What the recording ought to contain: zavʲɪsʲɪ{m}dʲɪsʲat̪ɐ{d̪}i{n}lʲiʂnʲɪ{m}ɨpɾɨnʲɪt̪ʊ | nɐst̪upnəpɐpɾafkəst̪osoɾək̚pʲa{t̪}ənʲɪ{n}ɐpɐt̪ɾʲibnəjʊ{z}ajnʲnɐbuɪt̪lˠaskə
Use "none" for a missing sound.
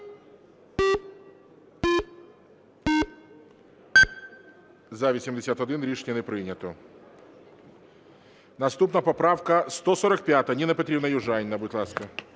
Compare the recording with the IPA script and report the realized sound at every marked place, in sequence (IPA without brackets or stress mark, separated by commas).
m, d̪, n, n, t̪, n, ʐ